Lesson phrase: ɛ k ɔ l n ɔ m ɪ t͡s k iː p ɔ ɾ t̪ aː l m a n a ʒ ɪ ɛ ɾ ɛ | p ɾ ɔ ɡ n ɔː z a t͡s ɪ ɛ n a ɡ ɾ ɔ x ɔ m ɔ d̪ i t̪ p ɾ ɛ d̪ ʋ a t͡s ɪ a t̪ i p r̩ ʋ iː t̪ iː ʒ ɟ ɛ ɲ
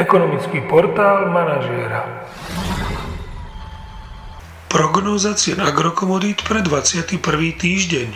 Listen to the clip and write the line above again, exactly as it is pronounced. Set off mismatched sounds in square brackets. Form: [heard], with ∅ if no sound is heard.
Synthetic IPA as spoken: ɛ k ɔ [∅] n ɔ m [i] t͡s k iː p ɔ ɾ t̪ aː l m a n a ʒ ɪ ɛ ɾ [a] | p ɾ ɔ ɡ n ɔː z a t͡s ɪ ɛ n a ɡ ɾ ɔ [k] ɔ m ɔ d̪ i t̪ p ɾ ɛ d̪ ʋ a t͡s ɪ a t̪ i p r̩ ʋ iː t̪ iː ʒ ɟ ɛ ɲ